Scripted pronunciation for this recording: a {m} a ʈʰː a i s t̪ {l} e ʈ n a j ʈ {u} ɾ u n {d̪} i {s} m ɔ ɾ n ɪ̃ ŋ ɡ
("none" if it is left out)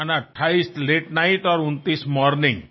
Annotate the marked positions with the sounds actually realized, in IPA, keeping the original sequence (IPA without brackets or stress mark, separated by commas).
n, l, ɔ, t̪, s